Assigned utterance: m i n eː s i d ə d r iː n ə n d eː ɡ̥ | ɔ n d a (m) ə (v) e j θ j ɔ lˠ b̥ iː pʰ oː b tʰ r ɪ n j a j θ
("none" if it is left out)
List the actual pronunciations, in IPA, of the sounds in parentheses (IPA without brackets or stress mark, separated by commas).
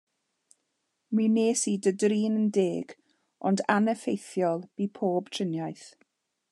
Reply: n, f